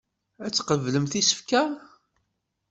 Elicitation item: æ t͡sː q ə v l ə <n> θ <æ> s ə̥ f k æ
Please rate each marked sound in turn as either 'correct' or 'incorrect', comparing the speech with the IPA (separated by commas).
incorrect, incorrect